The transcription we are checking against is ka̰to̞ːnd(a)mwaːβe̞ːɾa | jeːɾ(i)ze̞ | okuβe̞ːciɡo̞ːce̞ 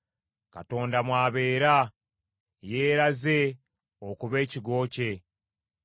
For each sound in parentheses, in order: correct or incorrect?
correct, incorrect: a

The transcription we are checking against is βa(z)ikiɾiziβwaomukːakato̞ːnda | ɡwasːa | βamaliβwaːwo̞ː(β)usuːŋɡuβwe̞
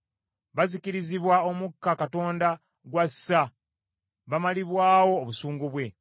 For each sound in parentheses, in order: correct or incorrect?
correct, correct

